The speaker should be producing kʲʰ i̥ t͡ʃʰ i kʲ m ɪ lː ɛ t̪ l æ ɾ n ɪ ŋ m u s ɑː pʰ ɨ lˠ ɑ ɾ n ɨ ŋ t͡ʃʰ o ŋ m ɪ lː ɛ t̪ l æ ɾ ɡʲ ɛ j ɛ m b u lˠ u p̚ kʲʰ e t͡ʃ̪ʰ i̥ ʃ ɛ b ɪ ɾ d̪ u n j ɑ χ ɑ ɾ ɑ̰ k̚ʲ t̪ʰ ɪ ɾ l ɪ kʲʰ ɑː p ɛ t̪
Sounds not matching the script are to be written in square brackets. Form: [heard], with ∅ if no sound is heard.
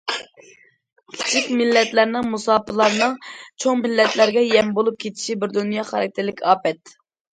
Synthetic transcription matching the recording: kʲʰ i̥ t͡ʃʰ i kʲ m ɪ lː ɛ t̪ l æ ɾ n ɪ ŋ m u s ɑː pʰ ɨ lˠ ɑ ɾ n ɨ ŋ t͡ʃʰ o ŋ m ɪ lː ɛ t̪ l æ ɾ ɡʲ ɛ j ɛ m b [o] lˠ u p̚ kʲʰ e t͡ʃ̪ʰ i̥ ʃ [i] b ɪ ɾ d̪ u n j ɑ χ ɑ ɾ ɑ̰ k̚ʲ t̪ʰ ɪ ɾ l ɪ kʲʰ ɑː p ɛ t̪